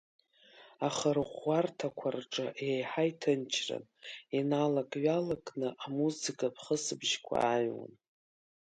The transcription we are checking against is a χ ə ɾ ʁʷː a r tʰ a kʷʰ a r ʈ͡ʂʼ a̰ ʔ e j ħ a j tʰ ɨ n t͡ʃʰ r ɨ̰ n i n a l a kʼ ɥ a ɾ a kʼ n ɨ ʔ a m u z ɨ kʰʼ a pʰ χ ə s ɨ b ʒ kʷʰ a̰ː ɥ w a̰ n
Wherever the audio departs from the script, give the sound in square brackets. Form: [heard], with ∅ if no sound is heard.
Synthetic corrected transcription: a χ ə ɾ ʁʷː a r tʰ a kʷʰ a r ʈ͡ʂʼ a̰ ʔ e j ħ a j tʰ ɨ n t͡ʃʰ r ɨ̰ n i n a l a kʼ ɥ a [l] a kʼ n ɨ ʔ a m u z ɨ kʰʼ a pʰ χ ə s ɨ b ʒ kʷʰ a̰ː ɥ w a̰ n